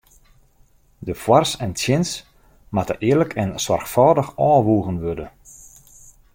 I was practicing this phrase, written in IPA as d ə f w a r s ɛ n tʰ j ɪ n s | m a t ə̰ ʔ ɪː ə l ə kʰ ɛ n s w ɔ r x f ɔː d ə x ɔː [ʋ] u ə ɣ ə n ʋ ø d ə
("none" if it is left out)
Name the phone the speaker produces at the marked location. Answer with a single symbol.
ʋ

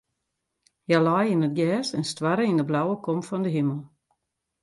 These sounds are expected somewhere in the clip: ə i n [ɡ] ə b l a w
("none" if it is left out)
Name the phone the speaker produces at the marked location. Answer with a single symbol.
d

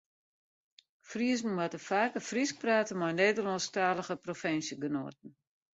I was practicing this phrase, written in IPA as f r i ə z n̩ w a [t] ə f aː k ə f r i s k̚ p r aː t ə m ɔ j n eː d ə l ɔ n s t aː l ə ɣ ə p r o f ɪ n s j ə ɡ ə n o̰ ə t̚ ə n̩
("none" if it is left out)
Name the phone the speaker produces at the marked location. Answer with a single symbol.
t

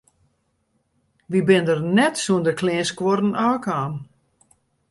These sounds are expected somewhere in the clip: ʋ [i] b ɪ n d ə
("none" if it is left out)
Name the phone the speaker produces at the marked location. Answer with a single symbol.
i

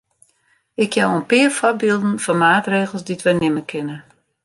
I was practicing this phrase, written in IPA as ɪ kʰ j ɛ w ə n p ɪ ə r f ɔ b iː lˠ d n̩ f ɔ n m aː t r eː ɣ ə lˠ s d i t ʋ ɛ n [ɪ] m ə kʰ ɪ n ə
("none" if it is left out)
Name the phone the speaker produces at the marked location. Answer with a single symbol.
ɪ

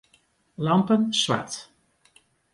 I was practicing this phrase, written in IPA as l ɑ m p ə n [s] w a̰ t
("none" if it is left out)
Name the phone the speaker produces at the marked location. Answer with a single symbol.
s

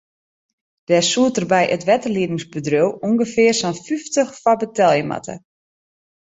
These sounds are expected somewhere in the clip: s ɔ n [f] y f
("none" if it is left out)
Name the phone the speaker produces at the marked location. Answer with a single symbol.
f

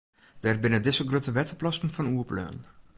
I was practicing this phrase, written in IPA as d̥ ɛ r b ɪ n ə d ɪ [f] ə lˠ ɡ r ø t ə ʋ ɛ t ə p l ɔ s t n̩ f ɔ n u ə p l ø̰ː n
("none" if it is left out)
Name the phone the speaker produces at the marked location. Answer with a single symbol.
s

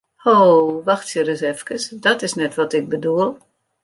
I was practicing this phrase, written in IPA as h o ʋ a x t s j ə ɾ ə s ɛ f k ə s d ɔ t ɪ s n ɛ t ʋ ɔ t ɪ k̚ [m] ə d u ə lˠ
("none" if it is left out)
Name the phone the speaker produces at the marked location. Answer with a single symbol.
b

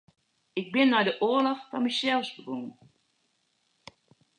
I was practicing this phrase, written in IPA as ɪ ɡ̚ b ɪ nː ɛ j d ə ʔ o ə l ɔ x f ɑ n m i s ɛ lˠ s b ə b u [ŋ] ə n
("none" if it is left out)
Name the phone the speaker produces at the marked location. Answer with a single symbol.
ŋ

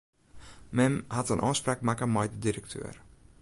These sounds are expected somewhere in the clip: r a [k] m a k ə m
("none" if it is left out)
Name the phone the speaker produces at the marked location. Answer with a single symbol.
k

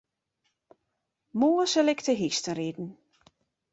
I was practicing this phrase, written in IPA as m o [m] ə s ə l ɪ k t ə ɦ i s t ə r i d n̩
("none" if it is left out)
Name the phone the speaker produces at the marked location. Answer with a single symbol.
none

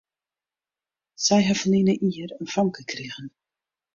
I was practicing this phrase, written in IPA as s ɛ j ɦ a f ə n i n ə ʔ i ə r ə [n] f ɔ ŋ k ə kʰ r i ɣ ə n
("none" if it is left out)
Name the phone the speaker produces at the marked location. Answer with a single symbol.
n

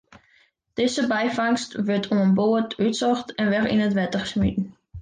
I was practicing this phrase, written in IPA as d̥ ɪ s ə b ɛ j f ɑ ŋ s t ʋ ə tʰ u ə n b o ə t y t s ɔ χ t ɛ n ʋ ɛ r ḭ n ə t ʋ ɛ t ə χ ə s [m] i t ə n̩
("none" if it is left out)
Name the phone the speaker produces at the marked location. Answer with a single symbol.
m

